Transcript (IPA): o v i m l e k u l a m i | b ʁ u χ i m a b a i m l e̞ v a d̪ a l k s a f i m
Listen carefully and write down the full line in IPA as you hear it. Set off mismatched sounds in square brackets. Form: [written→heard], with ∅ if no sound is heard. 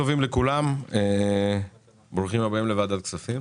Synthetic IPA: o v i m l e k u l a m [i→e] | b ʁ u χ i m a b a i m l e̞ v a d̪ a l k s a f i m

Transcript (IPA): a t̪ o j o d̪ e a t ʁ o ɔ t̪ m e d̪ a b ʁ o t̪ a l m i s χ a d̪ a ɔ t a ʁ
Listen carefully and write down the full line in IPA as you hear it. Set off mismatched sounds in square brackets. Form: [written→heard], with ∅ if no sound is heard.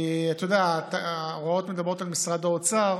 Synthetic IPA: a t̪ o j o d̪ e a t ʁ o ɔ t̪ m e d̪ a b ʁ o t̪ a l m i s [χ→ʁ] a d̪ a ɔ [t→t͡s] a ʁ

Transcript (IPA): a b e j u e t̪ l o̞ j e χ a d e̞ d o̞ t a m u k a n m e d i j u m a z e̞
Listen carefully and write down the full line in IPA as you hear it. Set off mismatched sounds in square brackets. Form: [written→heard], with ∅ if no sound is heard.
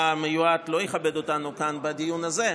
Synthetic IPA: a [b→m] e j u [e→a] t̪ l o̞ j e χ a [d→b] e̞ d o̞ t a [m→n] u k a n [m→b] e d i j u [m→n] a z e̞

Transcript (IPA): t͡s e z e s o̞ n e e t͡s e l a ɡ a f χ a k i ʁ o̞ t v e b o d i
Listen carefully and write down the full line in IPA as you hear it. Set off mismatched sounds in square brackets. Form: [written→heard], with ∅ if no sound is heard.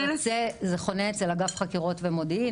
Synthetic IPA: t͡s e z e [s→χ] o̞ n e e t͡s e l a ɡ a f χ a k i ʁ o̞ t v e [b→m] o d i

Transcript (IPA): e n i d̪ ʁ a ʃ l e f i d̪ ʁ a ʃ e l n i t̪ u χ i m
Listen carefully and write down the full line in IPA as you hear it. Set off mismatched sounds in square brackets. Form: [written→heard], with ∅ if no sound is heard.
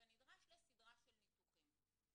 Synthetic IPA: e n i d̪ ʁ a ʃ l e [f→s] i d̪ ʁ a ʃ e l n i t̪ u χ i m

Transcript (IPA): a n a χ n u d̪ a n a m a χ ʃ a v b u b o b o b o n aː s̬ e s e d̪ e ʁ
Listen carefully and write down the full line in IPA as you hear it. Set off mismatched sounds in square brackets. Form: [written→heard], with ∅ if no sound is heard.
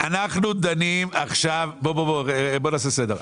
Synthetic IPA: a n a χ n u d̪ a n [a→i] m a χ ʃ a v b [u→o] b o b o b o n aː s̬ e s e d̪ e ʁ

